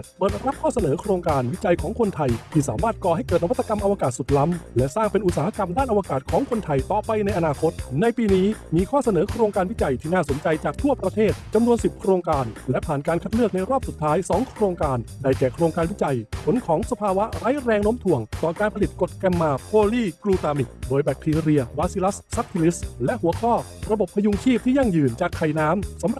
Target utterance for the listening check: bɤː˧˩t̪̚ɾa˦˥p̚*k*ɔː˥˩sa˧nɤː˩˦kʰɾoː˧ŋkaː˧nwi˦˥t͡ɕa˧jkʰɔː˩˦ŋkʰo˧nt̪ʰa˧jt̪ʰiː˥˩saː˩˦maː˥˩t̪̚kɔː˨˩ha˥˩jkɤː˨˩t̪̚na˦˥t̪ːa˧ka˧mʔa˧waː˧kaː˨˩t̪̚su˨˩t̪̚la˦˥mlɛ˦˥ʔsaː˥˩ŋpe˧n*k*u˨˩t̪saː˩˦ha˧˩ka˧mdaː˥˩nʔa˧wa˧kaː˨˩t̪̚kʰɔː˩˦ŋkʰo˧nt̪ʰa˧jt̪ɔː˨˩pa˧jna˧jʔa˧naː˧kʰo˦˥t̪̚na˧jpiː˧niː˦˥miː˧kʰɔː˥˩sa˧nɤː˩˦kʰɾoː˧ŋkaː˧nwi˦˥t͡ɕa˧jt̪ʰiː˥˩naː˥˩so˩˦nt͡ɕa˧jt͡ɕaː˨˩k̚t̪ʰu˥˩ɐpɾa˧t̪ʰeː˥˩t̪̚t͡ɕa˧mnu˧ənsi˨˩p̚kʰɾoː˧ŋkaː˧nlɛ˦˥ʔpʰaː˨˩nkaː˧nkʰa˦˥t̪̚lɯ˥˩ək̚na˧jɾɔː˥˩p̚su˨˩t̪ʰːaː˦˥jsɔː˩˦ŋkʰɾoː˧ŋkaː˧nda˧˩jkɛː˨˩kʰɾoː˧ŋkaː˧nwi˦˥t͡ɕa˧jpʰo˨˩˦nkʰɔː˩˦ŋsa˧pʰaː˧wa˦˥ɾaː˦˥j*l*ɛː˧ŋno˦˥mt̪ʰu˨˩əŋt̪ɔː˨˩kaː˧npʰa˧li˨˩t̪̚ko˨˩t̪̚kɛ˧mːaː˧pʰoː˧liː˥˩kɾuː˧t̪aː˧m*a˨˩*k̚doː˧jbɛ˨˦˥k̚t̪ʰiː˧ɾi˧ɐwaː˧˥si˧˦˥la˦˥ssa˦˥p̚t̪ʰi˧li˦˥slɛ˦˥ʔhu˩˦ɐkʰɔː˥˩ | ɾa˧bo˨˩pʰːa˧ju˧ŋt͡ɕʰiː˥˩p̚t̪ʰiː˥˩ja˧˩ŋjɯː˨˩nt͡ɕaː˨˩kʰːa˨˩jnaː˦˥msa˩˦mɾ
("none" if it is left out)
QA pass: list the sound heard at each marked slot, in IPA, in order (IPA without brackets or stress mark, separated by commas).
kʰ, ʔ, ɾ, i˨˩